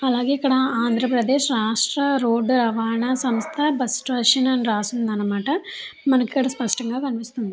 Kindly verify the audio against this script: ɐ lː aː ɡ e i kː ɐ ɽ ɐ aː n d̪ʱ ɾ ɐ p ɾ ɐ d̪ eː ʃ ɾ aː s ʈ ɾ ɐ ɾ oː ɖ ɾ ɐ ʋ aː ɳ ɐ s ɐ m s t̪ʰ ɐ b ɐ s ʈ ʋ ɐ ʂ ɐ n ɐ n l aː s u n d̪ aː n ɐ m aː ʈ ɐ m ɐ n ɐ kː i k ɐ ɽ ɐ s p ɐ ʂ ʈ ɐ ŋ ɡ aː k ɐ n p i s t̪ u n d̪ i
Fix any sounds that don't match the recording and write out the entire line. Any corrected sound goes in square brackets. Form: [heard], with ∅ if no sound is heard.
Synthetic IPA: ɐ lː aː ɡ e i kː ɐ ɽ ɐ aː n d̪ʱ ɾ ɐ p ɾ ɐ d̪ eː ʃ ɾ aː [ʂ] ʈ ɾ ɐ ɾ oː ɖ ɾ ɐ ʋ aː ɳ ɐ s ɐ m s t̪ʰ ɐ b ɐ s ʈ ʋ ɐ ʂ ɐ n ɐ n [ɾ] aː s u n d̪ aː n ɐ m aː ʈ ɐ m ɐ n ɐ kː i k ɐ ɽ ɐ s p ɐ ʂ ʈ ɐ ŋ ɡ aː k ɐ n p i s t̪ u n d̪ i